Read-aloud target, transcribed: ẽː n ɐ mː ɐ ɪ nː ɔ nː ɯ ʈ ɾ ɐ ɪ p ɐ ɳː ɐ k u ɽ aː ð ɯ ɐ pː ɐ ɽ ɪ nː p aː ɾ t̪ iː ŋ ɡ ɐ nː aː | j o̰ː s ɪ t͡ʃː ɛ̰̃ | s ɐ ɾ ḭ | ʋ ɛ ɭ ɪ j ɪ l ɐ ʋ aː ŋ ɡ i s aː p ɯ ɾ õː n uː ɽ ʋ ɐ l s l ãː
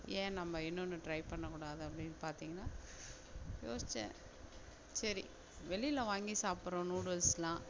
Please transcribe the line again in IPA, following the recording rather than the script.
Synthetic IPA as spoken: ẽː n ɐ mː ɐ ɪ nː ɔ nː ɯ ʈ ɾ ɐ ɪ p ɐ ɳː ɐ k uː ɽ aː ð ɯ ɐ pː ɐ ɽ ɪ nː p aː ɾ t̪ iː ŋ ɡ ɐ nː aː | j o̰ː s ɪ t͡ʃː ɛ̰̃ | s ɐ ɾ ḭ | ʋ ɛ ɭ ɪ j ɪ l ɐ ʋ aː ŋ ɡ i s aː p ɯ ɾ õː n uː ɽ ʋ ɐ l s l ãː